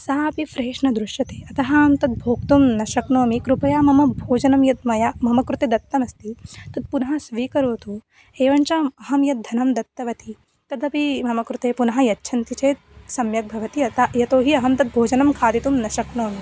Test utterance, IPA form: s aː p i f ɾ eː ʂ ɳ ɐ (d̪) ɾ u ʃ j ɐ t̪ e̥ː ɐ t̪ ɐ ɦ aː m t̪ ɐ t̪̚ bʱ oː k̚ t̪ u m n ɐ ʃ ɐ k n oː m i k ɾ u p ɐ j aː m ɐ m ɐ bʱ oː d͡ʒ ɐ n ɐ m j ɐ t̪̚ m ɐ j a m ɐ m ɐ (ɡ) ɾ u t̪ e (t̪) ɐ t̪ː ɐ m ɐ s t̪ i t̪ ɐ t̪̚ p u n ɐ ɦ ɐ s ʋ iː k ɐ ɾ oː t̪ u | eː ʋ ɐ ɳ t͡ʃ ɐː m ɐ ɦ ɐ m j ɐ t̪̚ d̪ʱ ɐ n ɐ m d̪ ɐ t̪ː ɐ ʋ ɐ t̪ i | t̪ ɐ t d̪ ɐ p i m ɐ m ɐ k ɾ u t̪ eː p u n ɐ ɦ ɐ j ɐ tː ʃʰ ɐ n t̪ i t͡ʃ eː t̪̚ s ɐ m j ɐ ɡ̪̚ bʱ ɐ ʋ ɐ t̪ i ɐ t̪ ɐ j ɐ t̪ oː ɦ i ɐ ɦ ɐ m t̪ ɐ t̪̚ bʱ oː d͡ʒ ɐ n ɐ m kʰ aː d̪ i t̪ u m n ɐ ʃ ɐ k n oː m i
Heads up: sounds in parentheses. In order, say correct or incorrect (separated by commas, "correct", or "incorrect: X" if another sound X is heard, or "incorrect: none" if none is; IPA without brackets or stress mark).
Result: correct, incorrect: k, incorrect: d̪